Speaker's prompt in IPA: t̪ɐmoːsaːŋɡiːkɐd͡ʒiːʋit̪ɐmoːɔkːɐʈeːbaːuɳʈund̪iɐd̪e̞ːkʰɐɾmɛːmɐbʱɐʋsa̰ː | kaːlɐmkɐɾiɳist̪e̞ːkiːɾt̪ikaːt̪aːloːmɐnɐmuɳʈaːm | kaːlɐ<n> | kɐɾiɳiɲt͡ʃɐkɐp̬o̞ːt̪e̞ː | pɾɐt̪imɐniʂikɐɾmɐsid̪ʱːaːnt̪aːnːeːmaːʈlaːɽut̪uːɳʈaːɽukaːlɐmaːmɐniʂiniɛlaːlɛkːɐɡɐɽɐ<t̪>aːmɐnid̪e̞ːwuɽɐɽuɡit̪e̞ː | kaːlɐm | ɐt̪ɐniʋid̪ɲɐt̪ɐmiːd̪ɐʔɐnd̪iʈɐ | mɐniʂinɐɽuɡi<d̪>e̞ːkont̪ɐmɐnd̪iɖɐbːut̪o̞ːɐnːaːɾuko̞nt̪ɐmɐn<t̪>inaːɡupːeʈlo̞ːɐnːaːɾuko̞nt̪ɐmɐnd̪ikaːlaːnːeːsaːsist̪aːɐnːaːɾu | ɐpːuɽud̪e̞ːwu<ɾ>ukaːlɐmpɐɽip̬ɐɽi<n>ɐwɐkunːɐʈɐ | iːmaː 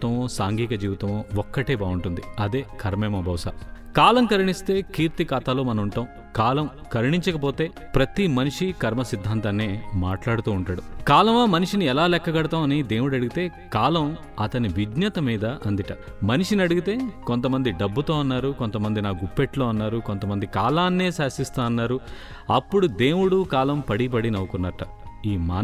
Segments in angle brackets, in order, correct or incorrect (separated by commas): incorrect, correct, incorrect, incorrect, incorrect, correct